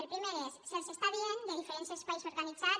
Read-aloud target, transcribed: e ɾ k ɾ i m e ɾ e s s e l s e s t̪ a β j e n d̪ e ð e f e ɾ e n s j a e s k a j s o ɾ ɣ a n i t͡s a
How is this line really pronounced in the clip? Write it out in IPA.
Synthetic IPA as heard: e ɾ p ɾ i m e ɾ e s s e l s e s t̪ a β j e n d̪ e ð i f e ɾ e n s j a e s p a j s o ɾ ɣ a n i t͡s a